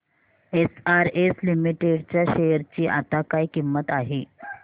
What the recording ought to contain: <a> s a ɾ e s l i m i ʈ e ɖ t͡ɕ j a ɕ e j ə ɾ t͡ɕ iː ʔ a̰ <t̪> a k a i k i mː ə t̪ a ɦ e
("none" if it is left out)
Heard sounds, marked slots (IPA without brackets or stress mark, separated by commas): e, t̪